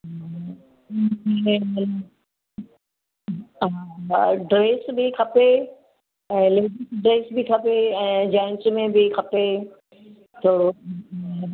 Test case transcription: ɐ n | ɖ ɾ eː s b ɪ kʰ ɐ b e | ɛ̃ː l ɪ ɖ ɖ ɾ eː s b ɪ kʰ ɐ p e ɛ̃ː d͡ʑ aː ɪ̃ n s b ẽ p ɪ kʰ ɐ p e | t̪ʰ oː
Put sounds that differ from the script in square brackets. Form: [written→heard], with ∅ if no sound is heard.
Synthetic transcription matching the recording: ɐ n | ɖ ɾ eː s b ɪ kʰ ɐ [b→p] e | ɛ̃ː l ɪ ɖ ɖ ɾ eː s b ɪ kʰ ɐ p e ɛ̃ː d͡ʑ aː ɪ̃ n s [b→m] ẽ [p→b] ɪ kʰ ɐ p e | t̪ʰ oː